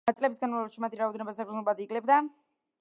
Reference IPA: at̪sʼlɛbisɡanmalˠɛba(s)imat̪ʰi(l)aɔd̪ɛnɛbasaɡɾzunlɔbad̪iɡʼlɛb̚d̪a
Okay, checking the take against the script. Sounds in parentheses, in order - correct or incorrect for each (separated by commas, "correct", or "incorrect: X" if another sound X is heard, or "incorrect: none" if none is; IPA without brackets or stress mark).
incorrect: ʃ, incorrect: ɾ